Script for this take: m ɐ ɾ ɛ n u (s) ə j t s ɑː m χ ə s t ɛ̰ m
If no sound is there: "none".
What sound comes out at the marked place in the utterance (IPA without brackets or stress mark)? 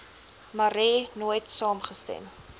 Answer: none